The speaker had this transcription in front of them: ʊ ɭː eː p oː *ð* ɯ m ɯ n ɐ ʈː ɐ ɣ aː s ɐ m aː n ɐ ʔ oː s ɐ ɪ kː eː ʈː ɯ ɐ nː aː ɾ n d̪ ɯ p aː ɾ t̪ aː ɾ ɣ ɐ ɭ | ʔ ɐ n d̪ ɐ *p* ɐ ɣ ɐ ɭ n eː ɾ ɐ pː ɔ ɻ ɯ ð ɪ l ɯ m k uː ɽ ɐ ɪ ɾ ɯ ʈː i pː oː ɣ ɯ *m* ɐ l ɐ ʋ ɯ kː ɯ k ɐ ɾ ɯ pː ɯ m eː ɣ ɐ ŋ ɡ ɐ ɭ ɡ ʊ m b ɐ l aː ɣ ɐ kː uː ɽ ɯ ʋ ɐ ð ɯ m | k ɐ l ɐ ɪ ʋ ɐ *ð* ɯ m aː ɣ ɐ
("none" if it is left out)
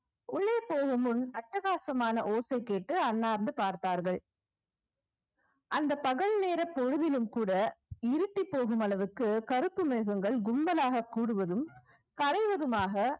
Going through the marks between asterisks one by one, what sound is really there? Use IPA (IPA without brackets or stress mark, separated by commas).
ɣ, p, m, ð